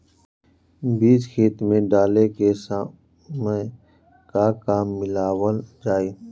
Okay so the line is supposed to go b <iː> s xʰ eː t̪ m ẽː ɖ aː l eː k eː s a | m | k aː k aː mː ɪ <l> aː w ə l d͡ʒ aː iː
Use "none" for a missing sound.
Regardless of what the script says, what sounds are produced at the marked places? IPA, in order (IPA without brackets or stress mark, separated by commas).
iː, l